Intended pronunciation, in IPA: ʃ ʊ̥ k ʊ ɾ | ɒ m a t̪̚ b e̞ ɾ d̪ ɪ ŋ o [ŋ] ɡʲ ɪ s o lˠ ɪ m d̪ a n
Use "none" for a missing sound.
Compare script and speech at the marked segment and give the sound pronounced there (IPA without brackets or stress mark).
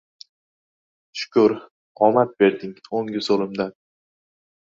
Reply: ŋ